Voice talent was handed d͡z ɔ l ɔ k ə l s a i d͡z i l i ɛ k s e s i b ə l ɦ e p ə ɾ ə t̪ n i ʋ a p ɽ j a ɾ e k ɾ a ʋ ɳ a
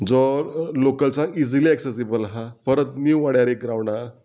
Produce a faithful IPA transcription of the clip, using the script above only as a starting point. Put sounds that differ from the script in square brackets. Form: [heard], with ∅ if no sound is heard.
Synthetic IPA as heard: d͡z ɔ l [o] k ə l [t͡s] a i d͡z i l i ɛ k s e s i b ə l ɦ [a] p ə ɾ ə t̪ n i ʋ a [∅] ɽ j a ɾ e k ɾ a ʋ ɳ a